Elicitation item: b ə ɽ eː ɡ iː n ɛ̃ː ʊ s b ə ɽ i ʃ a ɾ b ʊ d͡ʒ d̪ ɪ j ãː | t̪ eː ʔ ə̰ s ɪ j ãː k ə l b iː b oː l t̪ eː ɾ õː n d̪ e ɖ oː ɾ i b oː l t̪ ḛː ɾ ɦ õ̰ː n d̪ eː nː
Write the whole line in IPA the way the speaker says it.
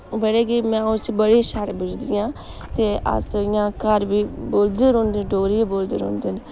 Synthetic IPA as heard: b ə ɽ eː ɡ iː m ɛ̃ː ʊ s b ə ɽ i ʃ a ɾ b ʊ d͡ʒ d̪ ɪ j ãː | t̪ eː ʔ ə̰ s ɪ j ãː k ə ɾ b iː b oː l d̪ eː ɾ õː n d̪ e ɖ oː ɾ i b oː l d̪ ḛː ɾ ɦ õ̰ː n d̪ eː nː